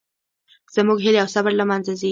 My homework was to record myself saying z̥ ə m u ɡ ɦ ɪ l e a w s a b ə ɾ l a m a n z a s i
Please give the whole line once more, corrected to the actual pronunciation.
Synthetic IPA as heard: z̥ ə m u ɡ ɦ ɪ l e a w s a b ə ɾ l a m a n z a z i